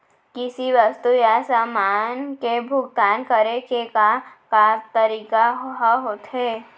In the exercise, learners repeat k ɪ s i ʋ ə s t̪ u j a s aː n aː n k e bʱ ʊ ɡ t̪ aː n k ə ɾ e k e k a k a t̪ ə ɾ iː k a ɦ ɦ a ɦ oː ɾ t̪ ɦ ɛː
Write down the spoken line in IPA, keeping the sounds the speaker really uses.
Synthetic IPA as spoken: k ɪ s i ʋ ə s t̪ u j a s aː m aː n k e bʱ ʊ ɡ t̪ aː n k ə ɾ e k e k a k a t̪ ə ɾ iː k a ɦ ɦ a ɦ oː t̪ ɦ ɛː